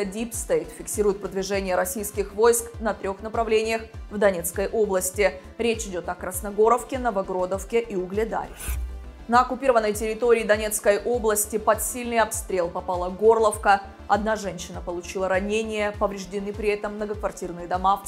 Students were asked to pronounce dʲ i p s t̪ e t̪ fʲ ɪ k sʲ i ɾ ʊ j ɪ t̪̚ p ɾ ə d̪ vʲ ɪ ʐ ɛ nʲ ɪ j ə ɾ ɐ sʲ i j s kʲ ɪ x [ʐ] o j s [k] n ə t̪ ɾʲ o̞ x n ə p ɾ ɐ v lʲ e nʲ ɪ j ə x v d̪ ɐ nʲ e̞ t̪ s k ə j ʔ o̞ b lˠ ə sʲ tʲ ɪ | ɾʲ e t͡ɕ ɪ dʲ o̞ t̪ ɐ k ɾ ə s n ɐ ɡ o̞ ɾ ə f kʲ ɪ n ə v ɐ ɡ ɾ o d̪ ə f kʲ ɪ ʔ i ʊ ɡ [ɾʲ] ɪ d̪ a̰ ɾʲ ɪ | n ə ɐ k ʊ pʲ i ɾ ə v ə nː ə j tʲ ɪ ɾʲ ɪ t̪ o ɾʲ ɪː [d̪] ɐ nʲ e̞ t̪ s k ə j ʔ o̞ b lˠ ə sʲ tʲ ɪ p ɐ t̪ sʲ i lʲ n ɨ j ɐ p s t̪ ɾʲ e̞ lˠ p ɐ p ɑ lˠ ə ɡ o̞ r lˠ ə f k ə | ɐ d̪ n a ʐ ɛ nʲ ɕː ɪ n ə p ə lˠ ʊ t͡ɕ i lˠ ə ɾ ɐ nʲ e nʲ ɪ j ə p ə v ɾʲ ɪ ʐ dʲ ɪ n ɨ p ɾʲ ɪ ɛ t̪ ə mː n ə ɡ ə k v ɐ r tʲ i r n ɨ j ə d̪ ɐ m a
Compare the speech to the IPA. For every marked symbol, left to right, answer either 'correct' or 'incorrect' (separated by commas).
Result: incorrect, correct, incorrect, correct